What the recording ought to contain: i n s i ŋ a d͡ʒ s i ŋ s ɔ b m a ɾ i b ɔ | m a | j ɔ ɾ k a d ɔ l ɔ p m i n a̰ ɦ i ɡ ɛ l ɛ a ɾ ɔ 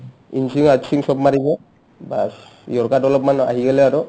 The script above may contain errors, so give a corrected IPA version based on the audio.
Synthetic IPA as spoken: i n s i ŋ a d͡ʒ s i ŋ s ɔ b m a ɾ i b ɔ | b a | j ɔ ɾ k a d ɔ l ɔ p m a n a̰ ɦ i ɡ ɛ l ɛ a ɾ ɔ

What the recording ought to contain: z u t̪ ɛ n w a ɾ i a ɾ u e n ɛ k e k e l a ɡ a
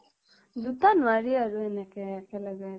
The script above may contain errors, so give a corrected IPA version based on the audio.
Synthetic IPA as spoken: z u t̪ a n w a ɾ i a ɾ u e n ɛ k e k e l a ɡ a

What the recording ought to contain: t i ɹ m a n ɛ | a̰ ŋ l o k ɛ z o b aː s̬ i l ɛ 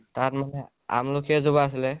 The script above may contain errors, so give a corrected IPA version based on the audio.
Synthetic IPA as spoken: t a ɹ m a n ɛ | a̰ m l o k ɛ z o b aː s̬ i l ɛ

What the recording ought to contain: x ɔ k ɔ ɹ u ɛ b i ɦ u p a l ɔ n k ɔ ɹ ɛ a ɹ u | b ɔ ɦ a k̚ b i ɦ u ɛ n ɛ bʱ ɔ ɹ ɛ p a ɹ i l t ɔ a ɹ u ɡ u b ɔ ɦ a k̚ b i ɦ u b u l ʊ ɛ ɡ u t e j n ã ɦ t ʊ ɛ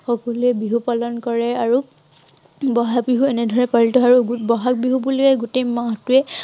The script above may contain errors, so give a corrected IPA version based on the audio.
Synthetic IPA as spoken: x ɔ k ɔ l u ɛ b i ɦ u p a l ɔ n k ɔ ɹ ɛ a ɹ u | b ɔ ɦ a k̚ b i ɦ u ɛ n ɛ dʱ ɔ ɹ ɛ p a ɹ i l t ɔ a ɹ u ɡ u b ɔ ɦ a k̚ b i ɦ u b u l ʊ ɛ ɡ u t e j m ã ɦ t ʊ ɛ

